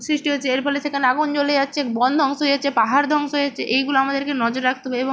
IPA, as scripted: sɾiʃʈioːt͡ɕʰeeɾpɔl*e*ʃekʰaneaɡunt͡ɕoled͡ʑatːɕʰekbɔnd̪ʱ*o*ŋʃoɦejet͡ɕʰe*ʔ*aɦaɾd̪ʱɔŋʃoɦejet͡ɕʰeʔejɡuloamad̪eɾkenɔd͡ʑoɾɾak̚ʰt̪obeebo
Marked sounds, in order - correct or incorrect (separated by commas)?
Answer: correct, incorrect, incorrect